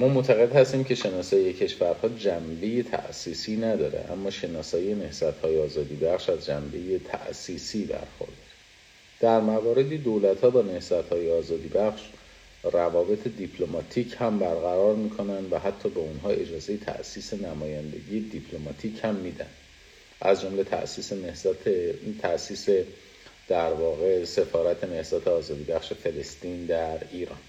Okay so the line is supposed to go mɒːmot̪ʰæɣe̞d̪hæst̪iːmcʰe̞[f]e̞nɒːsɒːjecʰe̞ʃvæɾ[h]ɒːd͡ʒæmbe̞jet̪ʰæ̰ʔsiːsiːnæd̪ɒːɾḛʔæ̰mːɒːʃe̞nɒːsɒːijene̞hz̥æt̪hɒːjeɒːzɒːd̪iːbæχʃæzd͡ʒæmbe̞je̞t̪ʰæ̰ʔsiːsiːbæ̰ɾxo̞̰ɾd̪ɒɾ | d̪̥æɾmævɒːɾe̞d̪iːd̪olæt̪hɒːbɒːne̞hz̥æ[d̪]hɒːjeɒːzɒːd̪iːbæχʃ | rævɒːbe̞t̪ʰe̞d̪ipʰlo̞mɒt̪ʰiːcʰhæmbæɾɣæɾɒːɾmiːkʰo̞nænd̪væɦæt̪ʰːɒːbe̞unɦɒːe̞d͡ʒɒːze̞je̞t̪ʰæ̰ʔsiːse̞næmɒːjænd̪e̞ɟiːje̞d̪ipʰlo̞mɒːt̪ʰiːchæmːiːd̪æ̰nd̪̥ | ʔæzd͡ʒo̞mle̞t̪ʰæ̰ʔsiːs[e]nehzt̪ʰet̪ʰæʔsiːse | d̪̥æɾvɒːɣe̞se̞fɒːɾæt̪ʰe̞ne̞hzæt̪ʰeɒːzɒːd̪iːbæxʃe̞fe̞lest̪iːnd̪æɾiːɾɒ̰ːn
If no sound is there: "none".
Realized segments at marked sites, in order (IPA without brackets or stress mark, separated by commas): ʃ, h, t̪, e